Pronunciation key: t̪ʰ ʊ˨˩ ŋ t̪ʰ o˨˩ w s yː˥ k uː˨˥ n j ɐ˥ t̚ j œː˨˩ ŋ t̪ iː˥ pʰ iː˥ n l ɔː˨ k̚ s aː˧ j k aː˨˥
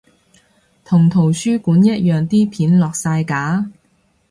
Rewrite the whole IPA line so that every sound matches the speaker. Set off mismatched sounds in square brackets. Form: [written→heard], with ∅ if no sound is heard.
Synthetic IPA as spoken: t̪ʰ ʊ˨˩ ŋ t̪ʰ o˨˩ w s yː˥ k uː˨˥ n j ɐ˥ t̚ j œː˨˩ ŋ t̪ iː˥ pʰ [iː˥→iː˨˥] n l ɔː˨ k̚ s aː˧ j k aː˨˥